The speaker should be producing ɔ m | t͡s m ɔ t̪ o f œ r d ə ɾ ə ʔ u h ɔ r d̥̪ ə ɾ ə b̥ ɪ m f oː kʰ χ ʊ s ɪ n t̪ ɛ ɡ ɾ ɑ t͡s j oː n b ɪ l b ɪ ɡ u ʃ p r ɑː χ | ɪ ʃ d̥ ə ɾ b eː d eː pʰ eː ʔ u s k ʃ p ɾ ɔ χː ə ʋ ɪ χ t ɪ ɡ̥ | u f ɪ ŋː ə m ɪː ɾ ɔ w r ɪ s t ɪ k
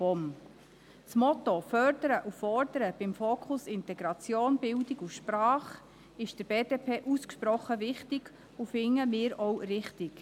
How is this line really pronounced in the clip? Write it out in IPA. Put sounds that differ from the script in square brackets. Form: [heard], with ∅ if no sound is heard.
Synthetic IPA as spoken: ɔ m | t͡s m ɔ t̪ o f œ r d ə ɾ ə ʔ u [f] ɔ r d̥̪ ə ɾ ə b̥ ɪ m f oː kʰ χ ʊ s ɪ n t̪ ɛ ɡ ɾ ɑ t͡s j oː n b ɪ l [d] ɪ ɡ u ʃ p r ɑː χ | ɪ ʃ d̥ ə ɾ b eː d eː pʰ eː ʔ u s k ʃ p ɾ ɔ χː ə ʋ ɪ χ t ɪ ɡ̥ | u f ɪ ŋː ə m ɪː ɾ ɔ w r ɪ [χ] t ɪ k